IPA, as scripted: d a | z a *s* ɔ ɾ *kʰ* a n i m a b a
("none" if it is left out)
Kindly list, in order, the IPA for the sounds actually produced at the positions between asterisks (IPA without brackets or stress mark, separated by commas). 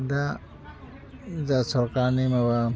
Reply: s, k